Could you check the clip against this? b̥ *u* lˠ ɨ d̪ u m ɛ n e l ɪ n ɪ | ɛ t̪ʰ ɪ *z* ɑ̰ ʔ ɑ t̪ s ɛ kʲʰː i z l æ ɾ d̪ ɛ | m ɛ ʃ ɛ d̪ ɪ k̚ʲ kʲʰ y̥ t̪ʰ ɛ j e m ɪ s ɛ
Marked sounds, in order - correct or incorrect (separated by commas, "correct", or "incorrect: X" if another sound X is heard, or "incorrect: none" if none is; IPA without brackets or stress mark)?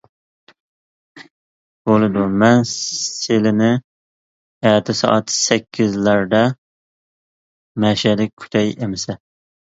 incorrect: o, incorrect: s